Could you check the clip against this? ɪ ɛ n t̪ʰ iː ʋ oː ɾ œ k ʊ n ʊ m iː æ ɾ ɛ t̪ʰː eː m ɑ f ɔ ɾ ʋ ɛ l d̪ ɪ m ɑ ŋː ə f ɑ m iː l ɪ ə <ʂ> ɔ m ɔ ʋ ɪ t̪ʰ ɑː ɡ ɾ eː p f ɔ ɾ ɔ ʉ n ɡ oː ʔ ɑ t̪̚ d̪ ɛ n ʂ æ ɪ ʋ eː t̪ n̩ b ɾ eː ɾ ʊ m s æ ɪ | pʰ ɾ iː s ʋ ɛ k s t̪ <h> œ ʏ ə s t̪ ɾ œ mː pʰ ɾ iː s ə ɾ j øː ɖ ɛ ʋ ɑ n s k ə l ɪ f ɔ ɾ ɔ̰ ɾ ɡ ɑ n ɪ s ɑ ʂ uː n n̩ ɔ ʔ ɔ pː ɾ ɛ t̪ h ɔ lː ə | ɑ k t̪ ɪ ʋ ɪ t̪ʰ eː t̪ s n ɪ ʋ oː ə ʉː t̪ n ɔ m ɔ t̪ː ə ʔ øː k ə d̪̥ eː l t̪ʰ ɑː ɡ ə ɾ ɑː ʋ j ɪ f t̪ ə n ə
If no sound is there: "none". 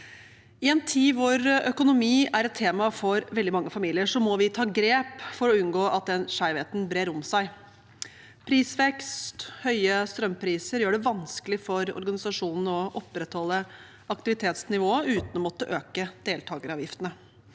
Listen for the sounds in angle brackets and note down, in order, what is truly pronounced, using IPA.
ʂ, h

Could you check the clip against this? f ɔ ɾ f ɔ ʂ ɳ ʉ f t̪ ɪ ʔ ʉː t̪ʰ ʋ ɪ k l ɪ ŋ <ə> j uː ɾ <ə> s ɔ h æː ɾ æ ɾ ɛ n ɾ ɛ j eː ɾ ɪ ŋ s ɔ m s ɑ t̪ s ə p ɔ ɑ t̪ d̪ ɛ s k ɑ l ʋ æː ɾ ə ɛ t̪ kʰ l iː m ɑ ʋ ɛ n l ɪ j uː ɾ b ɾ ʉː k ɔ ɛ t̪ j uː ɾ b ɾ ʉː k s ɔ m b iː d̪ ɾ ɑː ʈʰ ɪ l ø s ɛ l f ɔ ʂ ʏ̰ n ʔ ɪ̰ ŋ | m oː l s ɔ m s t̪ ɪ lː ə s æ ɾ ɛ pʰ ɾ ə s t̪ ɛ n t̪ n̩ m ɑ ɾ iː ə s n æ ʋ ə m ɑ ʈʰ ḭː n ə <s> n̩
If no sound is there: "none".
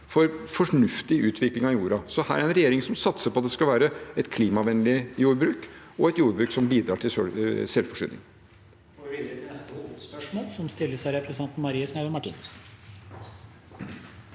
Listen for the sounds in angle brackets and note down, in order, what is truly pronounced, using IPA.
ɑ, ɑ, s

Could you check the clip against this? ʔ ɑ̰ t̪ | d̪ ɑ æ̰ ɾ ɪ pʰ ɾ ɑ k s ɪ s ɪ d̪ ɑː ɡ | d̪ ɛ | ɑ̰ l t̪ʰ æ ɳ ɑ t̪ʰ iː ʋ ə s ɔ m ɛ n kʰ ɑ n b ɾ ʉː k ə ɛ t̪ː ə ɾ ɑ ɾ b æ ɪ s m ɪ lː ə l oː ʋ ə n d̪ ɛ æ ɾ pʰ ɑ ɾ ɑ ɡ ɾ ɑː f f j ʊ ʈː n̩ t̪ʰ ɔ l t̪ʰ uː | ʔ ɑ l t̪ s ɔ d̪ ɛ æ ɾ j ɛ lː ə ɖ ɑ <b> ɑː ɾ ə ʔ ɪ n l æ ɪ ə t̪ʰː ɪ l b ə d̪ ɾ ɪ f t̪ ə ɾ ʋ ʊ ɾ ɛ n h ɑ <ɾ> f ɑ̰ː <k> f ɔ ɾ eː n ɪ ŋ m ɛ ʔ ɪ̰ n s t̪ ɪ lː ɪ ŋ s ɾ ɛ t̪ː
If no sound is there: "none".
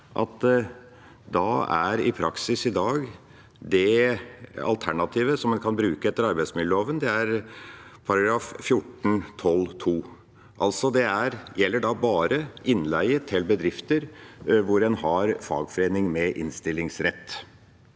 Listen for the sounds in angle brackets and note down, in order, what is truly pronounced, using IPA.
b, ɾ, ɡ

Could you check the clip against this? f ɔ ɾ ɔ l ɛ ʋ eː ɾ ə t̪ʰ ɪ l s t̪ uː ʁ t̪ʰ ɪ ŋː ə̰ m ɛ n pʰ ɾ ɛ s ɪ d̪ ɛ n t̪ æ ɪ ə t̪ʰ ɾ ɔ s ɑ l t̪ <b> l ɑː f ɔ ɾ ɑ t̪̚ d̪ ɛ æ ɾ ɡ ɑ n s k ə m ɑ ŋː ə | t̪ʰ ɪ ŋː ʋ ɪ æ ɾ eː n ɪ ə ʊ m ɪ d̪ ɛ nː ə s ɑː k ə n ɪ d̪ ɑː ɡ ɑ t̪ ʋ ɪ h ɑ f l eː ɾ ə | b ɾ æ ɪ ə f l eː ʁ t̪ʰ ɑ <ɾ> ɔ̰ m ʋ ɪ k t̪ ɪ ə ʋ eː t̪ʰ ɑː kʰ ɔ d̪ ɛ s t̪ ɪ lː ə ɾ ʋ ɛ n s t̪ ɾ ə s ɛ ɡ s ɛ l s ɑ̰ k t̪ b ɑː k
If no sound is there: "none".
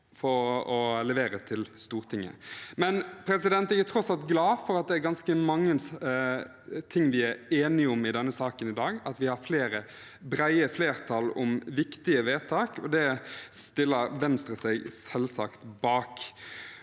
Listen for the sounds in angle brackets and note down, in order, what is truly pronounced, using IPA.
ɡ, l

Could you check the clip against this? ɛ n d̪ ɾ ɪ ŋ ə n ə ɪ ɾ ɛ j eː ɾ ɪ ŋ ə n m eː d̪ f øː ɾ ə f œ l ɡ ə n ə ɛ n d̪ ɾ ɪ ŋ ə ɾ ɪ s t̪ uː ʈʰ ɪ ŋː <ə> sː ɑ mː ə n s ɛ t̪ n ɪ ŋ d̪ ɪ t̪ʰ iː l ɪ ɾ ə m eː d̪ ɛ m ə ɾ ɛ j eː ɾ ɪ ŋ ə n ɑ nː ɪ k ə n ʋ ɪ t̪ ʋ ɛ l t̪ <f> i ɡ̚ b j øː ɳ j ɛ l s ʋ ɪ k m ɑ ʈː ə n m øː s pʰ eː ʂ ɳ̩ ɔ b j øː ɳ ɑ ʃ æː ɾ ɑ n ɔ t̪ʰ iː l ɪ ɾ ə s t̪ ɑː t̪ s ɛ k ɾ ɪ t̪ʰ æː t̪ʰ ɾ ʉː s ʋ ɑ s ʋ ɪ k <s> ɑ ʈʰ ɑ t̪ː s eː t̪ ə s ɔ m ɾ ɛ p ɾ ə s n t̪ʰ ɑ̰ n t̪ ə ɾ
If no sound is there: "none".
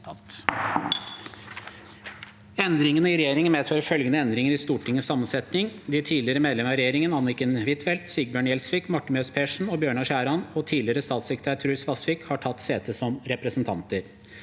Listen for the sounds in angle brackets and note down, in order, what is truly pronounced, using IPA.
ə, s, h

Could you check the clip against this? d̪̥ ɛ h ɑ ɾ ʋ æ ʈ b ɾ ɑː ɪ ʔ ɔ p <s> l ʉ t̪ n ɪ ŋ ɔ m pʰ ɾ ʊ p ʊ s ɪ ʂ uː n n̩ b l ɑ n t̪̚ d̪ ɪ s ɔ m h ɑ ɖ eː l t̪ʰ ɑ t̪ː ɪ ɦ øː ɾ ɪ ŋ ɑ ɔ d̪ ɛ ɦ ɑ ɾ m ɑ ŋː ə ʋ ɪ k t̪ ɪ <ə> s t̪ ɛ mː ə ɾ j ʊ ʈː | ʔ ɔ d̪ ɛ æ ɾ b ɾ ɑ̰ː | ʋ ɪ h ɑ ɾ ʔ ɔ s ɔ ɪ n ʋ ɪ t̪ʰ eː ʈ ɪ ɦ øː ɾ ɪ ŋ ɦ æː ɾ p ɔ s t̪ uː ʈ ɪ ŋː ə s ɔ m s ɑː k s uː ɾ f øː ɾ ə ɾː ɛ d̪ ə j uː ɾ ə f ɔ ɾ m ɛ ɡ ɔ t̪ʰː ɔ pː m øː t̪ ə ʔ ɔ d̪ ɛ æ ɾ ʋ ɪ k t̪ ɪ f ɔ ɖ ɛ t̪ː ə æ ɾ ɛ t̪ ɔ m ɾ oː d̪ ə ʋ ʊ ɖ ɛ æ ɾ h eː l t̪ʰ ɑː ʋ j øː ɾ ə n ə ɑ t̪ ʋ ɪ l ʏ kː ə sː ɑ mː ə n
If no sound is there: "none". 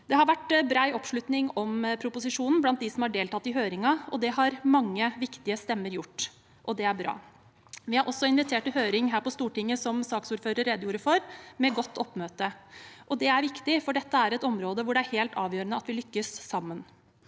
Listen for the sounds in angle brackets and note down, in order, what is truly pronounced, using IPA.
ʂ, ə

